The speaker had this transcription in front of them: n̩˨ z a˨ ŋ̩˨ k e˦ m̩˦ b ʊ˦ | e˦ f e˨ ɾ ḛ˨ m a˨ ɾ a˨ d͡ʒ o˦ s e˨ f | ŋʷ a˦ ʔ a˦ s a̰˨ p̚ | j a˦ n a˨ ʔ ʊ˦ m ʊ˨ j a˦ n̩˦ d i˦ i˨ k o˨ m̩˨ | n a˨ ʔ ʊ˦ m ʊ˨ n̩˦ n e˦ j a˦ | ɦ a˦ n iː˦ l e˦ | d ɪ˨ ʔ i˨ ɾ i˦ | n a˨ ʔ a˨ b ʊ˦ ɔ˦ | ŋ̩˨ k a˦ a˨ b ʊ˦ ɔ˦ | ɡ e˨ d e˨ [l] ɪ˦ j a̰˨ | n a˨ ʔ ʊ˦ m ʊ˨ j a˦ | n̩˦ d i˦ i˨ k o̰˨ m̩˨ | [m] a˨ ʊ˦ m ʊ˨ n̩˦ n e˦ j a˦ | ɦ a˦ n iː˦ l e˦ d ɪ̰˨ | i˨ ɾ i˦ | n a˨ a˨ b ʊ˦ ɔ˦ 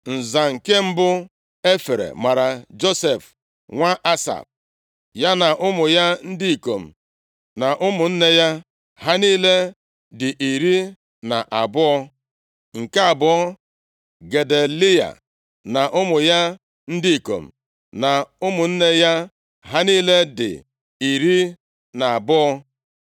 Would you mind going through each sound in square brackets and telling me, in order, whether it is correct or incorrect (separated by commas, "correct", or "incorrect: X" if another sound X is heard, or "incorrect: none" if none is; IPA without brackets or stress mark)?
correct, incorrect: n